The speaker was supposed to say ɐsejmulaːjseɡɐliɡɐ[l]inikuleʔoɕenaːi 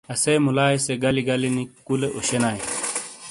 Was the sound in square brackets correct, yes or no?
yes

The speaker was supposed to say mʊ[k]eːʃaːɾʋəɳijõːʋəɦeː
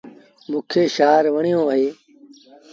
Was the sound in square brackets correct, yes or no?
no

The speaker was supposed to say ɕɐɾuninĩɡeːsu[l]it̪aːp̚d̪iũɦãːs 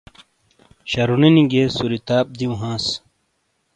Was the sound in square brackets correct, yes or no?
no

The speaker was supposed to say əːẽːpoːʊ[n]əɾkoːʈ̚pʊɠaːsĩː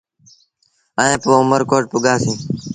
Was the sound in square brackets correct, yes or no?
no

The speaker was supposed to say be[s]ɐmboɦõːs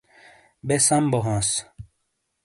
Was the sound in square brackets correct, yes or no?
yes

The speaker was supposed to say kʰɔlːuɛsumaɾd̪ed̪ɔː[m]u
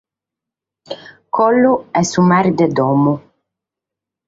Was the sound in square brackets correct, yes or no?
yes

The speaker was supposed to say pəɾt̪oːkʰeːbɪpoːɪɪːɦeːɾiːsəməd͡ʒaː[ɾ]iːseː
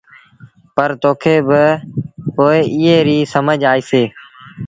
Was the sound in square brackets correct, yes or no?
no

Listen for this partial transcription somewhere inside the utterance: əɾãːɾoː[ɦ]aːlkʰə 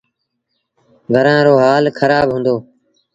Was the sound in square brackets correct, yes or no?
yes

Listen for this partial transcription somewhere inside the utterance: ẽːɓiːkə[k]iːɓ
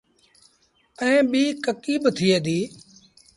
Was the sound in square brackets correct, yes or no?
yes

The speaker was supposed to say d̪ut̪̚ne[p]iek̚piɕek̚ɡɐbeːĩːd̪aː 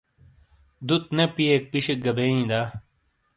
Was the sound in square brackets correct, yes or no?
yes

